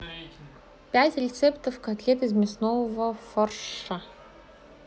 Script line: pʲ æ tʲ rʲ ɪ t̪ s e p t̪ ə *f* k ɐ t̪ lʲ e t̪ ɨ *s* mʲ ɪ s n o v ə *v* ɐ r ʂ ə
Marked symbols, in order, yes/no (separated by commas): yes, no, no